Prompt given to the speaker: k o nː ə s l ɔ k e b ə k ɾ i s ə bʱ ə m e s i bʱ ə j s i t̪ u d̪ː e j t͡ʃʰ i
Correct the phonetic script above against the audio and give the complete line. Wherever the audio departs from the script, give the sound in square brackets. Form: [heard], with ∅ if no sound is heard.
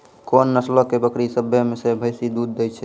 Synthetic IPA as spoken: k o nː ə s l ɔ k e b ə k ɾ i s ə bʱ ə m e s [e] bʱ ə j s i [d̪] u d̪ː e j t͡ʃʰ [ɛ]